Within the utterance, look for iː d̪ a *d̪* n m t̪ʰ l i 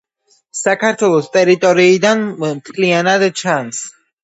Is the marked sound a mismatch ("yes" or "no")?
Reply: yes